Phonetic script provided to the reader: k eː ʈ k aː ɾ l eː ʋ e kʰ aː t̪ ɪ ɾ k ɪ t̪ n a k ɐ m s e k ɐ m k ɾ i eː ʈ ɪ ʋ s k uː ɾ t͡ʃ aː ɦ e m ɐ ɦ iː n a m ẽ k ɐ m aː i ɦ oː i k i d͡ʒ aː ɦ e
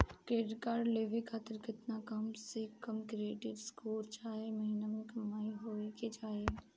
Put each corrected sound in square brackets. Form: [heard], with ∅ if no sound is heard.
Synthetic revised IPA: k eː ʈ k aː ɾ l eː ʋ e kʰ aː t̪ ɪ ɾ k ɪ t̪ n a k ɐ m s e k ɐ m k ɾ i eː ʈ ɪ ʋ s k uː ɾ t͡ʃ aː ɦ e m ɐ ɦ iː n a m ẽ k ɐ m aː i ɦ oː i k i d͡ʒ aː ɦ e